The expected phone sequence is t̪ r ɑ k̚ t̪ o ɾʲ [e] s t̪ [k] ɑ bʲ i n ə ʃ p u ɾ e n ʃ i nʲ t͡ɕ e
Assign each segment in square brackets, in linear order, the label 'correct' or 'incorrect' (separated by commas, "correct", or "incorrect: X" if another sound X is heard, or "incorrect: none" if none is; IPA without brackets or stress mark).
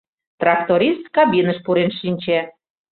incorrect: i, correct